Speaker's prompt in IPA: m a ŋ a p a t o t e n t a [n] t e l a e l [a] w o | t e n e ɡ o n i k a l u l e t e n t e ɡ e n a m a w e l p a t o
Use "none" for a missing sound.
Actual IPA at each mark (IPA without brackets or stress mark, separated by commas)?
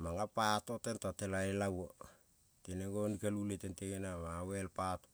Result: none, a